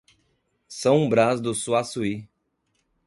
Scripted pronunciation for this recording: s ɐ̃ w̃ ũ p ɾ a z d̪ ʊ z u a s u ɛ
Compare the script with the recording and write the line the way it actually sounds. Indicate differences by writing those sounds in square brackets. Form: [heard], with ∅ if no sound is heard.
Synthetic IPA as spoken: s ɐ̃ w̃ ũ [b] ɾ a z d̪ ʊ [s] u a s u [i]